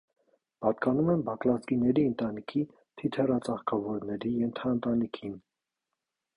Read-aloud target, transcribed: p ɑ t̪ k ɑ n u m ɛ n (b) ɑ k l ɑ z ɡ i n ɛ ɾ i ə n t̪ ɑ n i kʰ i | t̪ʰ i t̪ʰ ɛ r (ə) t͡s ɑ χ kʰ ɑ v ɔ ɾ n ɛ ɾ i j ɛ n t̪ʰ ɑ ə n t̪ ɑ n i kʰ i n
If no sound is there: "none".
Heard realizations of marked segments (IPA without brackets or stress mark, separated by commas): b, ɑ